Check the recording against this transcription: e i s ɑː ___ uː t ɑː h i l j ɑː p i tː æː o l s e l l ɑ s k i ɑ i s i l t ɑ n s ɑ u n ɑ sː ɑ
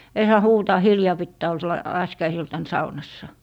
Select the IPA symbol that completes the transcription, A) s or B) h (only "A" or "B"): B